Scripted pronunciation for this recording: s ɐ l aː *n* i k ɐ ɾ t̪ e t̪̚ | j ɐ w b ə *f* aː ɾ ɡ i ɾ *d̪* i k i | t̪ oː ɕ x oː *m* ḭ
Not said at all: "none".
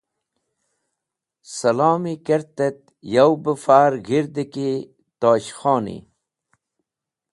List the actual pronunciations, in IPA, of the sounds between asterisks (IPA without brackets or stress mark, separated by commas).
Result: m, f, d̪, n